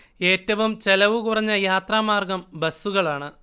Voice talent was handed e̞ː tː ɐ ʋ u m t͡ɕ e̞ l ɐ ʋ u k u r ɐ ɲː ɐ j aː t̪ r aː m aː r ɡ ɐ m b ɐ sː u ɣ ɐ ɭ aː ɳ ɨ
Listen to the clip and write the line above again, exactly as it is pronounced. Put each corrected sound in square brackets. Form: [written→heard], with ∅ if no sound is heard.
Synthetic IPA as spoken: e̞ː tː ɐ ʋ u m t͡ɕ e̞ l ɐ ʋ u k u r ɐ ɲː ɐ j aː t̪ r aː m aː r ɡ ɐ m b ɐ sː u ɣ ɐ ɭ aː ɳ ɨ